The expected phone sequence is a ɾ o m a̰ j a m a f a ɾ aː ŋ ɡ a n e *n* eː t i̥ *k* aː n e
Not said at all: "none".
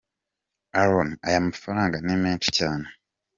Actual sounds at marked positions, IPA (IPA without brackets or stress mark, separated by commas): m, c